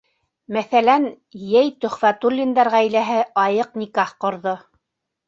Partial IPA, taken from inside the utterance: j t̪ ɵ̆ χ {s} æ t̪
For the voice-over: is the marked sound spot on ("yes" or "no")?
no